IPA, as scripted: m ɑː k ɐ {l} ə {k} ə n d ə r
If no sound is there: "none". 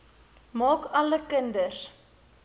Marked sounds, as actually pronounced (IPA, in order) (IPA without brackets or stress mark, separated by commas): l, k